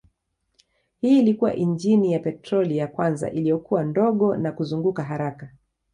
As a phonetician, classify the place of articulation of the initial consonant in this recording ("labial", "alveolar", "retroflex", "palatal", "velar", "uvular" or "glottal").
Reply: glottal